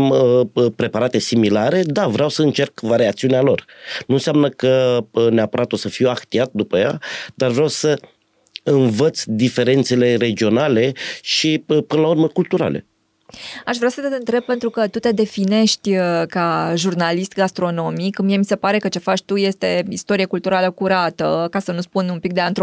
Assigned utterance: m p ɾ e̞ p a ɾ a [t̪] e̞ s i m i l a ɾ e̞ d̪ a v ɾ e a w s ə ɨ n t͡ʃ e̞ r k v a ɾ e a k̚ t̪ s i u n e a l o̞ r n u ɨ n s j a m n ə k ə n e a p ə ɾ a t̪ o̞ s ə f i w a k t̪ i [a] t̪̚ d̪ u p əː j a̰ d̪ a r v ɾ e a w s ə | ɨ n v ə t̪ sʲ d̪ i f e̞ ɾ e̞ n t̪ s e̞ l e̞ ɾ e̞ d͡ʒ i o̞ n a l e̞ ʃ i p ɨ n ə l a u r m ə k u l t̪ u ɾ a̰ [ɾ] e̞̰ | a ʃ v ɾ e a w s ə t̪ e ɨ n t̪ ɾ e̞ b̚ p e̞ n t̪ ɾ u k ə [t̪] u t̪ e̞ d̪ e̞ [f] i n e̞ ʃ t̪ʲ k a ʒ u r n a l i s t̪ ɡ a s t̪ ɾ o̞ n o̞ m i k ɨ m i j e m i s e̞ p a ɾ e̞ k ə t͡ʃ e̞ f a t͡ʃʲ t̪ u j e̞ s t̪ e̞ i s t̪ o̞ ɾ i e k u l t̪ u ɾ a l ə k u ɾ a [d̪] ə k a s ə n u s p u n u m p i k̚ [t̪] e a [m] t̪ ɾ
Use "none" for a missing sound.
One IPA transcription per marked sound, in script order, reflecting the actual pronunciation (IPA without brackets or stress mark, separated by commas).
t̪, a, l, t̪, f, t̪, d̪, n